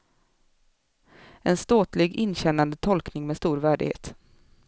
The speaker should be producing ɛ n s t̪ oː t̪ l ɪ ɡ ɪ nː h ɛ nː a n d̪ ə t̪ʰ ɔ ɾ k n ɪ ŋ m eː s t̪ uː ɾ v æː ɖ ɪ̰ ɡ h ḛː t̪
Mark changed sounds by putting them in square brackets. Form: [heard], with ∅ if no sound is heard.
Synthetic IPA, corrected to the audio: ɛ n s t̪ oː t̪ l ɪ ɡ ɪ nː [ɕ] ɛ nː a n d̪ ə t̪ʰ ɔ [l] k n ɪ ŋ m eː s t̪ uː ɾ v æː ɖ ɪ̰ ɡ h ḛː t̪